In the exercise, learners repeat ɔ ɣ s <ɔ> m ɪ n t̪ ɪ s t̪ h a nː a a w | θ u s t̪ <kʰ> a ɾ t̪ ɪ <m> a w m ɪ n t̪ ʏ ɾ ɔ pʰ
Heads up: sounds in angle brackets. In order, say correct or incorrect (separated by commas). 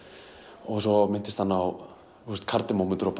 correct, correct, correct